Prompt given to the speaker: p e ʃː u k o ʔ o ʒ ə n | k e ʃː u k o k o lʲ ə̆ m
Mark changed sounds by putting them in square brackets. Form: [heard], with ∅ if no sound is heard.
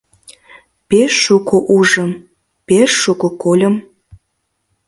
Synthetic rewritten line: p e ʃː u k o ʔ [u] ʒ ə [m] | [p] e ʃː u k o k o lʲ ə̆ m